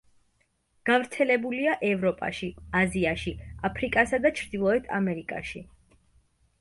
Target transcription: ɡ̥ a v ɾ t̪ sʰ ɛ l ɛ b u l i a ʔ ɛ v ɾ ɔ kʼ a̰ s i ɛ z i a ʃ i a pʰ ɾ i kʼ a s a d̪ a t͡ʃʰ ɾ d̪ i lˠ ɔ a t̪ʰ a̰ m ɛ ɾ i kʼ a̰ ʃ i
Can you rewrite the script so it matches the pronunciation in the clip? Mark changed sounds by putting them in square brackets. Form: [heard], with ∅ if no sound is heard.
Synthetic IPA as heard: ɡ̥ a v ɾ t̪ sʰ ɛ l ɛ b u l i a ʔ ɛ v ɾ ɔ [pʼ] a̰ [ʃ] i [a] z i a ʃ i a pʰ ɾ i kʼ a s a d̪ a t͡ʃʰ ɾ d̪ i lˠ ɔ [ɛ] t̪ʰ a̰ m ɛ ɾ i kʼ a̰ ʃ i